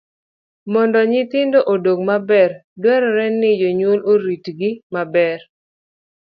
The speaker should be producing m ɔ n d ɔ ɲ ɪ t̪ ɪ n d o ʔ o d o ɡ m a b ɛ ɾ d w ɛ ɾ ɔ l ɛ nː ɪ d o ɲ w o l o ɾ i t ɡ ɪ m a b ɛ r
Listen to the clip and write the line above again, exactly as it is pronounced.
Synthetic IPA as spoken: m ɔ n d ɔ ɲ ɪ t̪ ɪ n d o ʔ o d o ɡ m a b ɛ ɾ d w ɛ ɾ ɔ ɾ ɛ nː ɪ d͡ʒ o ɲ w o l o ɾ i t ɡ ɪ m a b ɛ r